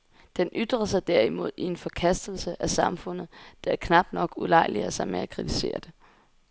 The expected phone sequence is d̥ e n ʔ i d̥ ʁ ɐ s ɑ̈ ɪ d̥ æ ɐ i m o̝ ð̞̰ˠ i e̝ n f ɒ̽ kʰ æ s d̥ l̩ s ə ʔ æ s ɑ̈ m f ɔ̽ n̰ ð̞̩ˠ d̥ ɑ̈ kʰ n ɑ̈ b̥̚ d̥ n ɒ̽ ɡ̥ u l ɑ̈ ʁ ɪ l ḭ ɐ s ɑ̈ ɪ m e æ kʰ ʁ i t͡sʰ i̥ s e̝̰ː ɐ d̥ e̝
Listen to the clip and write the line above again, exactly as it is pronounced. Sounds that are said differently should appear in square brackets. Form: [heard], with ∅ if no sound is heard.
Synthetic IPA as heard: d̥ e n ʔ [y] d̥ ʁ ɐ s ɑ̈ ɪ d̥ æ ɐ i m o̝ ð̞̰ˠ i e̝ n f ɒ̽ kʰ æ s d̥ l̩ s ə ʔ æ s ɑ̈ m f ɔ̽ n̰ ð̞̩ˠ d̥ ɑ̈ kʰ n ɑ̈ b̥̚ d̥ n ɒ̽ ɡ̥ u l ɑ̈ [∅] ɪ l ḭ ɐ s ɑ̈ ɪ m e æ kʰ ʁ i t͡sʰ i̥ s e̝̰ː ɐ d̥ e̝